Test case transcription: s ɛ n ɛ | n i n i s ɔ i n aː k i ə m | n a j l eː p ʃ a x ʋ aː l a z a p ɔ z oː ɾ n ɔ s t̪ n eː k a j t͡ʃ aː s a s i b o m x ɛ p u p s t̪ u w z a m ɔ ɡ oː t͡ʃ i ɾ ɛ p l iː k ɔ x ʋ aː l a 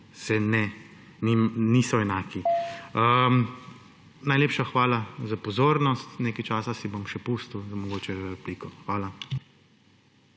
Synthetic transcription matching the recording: s ɛ n ɛ | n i n i s ɔ ɛ n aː k i ə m | n a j l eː p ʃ a x ʋ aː l a z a p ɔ z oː ɾ n ɔ s t̪ n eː k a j t͡ʃ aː s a s i b o m ʃ ɛ p u s t̪ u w z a m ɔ ɡ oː t͡ʃ ɛ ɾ ɛ p l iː k ɔ x ʋ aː l a